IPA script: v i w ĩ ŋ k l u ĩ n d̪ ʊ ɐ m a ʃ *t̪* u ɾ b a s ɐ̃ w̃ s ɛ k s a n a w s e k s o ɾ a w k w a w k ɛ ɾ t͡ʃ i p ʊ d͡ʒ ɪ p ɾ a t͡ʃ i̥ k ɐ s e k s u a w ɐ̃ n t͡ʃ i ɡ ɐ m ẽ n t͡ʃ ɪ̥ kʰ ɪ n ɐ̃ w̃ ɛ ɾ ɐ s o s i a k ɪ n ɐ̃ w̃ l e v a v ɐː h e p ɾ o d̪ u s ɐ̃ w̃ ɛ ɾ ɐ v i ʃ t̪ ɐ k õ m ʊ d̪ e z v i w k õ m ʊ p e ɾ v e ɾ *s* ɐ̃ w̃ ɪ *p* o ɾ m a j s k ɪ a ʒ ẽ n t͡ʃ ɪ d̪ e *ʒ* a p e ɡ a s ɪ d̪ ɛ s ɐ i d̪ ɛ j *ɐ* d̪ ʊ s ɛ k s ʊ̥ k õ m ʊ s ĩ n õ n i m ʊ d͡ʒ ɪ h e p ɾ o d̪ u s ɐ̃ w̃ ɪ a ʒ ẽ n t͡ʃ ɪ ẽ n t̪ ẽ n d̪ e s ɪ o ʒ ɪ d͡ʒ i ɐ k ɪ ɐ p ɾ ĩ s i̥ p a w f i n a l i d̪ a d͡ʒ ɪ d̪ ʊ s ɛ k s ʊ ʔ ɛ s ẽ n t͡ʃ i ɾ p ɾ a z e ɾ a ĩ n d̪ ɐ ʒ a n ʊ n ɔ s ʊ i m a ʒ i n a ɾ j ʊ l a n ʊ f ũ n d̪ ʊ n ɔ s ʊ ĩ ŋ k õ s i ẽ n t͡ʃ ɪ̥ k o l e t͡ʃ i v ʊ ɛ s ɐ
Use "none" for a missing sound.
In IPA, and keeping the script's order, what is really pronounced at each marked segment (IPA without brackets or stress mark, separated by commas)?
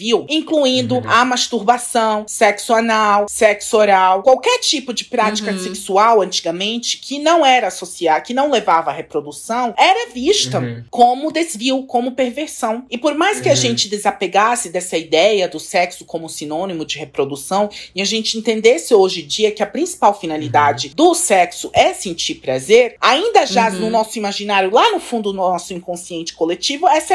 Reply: t̪, s, p, z, ɐ